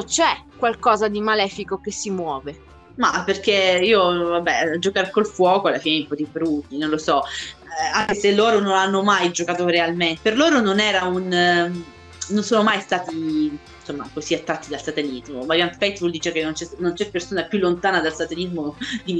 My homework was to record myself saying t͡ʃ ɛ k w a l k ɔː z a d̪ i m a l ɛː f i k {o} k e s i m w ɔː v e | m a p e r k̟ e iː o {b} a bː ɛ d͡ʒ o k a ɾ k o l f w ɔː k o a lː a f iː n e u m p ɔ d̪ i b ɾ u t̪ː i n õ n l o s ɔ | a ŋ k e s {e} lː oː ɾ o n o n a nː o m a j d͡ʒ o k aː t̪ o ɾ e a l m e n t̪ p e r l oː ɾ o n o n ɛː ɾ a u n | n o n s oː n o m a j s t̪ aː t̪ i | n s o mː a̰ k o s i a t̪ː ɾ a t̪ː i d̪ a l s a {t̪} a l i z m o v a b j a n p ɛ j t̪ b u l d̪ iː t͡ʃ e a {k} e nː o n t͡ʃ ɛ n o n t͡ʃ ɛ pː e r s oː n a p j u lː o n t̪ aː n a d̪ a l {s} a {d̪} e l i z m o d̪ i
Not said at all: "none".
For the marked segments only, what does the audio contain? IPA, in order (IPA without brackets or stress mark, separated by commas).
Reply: o, v, e, t̪, k, s, t̪